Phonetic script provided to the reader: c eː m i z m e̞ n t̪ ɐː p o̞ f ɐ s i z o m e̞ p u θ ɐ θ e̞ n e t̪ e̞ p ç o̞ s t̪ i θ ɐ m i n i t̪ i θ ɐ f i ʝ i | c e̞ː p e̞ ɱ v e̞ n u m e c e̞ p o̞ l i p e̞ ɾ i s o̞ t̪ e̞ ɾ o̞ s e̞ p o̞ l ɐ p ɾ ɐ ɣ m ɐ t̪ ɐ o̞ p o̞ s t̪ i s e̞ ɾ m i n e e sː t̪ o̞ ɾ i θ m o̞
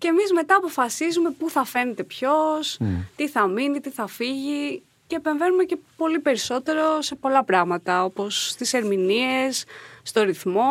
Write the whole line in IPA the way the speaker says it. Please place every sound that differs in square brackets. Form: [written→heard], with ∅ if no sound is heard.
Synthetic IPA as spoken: c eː m i z m e̞ [n→∅] t̪ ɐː p o̞ f ɐ s i z [o→u] m e̞ p u θ ɐ [θ→f] e̞ n e t̪ e̞ p ç o̞ s t̪ i θ ɐ m i n i t̪ i θ ɐ f i ʝ i | c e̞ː p e̞ ɱ v e̞ n u m e c e̞ p o̞ l i p e̞ ɾ i s o̞ t̪ e̞ ɾ o̞ s e̞ p o̞ l ɐ p ɾ ɐ ɣ m ɐ t̪ ɐ o̞ p o̞ s t̪ i s e̞ ɾ m i n [e→i] e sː t̪ o̞ ɾ i θ m o̞